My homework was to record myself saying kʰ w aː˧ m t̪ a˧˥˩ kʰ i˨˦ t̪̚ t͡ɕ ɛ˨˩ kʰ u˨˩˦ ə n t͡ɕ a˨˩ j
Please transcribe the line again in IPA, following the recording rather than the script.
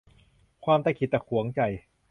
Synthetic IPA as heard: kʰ w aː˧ m t̪ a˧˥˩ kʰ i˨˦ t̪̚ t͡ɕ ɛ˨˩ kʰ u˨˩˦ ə ŋ t͡ɕ a˨˩ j